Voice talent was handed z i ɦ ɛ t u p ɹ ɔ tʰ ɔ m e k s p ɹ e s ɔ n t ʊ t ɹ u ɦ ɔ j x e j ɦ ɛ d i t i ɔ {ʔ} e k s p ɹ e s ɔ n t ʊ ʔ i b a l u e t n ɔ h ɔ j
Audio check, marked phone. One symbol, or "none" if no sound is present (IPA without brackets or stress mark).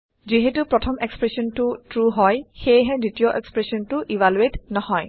ʔ